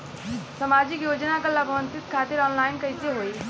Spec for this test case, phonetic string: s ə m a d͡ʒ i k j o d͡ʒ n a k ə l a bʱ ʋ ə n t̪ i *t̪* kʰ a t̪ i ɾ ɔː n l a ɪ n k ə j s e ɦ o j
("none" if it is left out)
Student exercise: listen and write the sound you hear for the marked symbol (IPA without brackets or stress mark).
t̪